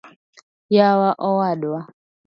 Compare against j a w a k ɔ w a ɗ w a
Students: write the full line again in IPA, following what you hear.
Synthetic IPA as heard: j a w a ʔ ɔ w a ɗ w a